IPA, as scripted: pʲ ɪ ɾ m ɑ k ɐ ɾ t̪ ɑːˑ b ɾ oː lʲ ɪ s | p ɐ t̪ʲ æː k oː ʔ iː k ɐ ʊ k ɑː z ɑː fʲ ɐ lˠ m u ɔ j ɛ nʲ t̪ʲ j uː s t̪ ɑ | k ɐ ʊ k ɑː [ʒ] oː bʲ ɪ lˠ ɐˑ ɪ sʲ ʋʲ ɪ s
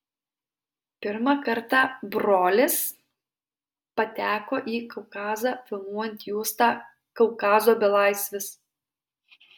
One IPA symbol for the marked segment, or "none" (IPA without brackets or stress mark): z